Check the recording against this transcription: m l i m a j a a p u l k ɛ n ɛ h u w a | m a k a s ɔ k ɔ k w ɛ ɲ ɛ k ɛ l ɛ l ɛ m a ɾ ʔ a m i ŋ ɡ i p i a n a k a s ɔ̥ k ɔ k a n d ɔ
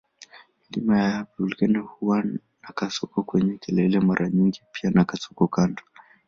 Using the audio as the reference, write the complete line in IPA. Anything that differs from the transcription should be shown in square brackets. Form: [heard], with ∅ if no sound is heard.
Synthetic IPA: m l i m a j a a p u l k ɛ n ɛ h u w a | [n] a k a s ɔ k ɔ k w ɛ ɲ ɛ k ɛ l ɛ l ɛ m a ɾ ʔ a [ɲ] i ŋ ɡ i p i a n a k a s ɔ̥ k ɔ k a n d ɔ